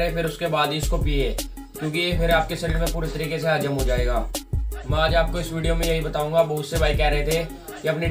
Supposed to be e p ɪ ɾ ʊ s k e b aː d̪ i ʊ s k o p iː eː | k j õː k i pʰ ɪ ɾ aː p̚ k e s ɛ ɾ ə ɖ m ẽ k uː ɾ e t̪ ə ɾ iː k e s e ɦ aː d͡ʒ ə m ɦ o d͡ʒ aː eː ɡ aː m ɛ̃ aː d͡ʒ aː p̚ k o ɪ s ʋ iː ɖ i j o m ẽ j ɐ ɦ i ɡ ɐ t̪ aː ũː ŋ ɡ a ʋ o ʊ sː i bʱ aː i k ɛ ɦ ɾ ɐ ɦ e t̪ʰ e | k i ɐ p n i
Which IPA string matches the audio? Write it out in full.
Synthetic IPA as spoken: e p ɪ ɾ ʊ s k e b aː d̪ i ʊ s k o p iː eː | k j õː k i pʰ ɪ ɾ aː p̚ k e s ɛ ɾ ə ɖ m ẽ p uː ɾ e t̪ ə ɾ iː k e s e ɦ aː d͡ʒ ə m ɦ o d͡ʒ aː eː ɡ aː m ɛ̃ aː d͡ʒ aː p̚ k o ɪ s ʋ iː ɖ i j o m ẽ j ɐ ɦ i b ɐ t̪ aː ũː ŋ ɡ a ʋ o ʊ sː e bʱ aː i k ɛ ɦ ɾ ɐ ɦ e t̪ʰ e | k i ɐ p n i